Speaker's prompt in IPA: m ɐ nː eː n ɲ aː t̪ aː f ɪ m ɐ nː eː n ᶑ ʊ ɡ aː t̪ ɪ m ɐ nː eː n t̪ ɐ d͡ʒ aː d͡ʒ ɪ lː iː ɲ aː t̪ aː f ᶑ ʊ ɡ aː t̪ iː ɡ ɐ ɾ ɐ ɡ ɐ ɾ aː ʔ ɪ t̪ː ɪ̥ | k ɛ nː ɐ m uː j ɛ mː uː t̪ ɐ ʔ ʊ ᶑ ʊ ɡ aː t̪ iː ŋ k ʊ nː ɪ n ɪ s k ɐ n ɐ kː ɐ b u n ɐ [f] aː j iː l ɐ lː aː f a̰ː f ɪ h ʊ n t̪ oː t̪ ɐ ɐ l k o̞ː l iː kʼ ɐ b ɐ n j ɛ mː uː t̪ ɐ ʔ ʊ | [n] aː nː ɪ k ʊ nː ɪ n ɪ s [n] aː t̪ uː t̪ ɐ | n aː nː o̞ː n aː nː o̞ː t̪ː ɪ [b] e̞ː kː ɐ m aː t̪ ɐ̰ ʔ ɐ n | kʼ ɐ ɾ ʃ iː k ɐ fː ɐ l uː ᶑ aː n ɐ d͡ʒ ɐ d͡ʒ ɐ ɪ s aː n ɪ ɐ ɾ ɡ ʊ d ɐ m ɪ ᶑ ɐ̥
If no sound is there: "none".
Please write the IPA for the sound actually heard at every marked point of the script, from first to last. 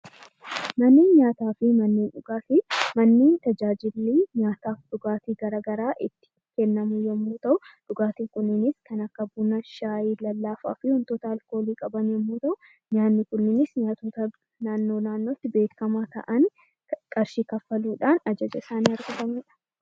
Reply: ʃ, ɲ, ɲ, b

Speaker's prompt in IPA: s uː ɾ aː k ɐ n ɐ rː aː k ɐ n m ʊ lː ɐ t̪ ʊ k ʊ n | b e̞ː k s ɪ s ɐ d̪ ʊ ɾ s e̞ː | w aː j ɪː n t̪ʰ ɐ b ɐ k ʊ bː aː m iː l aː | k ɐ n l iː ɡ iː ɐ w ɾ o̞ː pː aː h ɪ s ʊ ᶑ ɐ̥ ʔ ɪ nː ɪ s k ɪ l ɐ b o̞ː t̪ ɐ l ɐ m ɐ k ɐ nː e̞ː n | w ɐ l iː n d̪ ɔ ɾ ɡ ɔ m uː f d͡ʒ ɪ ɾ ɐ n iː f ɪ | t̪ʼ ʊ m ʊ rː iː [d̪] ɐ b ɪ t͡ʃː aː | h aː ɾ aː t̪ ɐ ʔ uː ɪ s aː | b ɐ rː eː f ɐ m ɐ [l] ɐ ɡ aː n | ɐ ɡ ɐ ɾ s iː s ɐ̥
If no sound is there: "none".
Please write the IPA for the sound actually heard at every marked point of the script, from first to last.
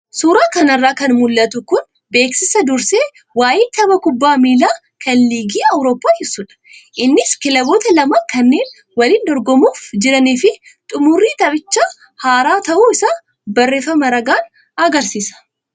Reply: t̪, ɾ

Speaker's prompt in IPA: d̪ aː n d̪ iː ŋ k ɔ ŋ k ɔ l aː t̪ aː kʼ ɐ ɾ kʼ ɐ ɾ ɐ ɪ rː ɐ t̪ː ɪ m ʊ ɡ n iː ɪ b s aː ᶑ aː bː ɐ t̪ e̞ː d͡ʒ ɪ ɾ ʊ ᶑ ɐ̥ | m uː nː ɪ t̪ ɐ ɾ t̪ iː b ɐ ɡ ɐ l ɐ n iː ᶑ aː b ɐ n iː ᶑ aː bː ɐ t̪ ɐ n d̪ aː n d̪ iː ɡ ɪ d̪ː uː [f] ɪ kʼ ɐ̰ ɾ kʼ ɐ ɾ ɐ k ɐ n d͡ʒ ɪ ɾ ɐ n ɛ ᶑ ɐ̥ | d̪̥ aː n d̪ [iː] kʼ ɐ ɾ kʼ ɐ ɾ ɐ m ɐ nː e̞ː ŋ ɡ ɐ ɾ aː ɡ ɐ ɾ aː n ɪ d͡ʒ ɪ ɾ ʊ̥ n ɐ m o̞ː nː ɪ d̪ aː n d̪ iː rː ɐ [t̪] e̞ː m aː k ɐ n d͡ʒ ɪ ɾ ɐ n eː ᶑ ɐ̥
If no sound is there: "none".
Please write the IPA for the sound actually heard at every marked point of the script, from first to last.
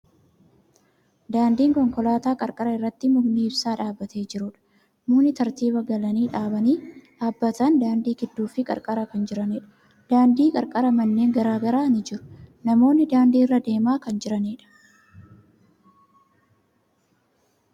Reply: f, iː, d̪

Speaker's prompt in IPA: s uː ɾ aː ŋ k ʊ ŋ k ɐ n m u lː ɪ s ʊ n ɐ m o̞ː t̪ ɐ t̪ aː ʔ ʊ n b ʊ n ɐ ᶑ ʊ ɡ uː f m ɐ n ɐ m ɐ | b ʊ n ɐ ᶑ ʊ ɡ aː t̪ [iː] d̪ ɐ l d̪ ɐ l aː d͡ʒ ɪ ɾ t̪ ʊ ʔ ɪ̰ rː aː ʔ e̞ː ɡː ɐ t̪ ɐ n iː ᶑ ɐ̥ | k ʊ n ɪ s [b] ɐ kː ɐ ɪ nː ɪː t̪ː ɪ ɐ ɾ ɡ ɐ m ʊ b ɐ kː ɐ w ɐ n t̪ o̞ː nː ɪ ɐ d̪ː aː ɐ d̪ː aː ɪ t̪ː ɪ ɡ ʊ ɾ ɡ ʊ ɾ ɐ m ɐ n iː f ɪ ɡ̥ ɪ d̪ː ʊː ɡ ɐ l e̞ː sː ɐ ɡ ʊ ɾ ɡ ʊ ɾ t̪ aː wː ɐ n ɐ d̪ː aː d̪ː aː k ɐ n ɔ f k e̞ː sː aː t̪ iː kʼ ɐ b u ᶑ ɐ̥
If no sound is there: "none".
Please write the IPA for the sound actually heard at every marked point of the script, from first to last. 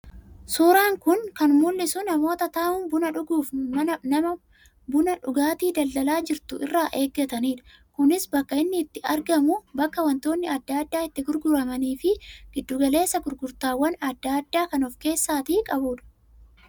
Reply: iː, b

